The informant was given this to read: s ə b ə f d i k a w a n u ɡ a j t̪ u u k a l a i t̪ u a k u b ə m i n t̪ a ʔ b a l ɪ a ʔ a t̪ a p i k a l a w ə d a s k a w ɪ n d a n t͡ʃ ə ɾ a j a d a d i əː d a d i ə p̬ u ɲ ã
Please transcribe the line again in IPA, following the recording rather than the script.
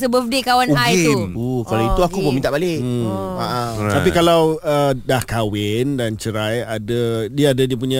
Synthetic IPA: s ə b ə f d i k a w a n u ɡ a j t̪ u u k a l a i t̪ u a k u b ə m i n t̪ a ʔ b a l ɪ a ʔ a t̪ a p i k a l a w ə d a h k a w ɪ n d a n t͡ʃ ə ɾ a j a d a d i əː d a d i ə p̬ u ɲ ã